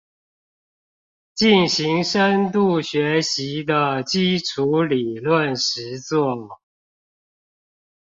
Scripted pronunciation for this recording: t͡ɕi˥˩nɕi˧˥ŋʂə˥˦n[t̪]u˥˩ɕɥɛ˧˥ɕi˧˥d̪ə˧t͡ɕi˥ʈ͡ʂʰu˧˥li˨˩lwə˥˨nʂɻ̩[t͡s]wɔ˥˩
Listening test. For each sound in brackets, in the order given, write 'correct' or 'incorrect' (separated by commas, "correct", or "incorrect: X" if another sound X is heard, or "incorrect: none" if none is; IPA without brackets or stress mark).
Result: correct, correct